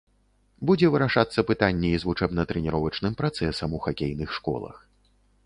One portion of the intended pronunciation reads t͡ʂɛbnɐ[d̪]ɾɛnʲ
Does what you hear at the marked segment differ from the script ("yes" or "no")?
yes